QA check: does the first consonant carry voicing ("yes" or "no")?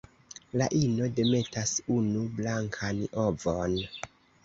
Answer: yes